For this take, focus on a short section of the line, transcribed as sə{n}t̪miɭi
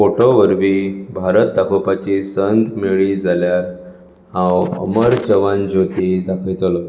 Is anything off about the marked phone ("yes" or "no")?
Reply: no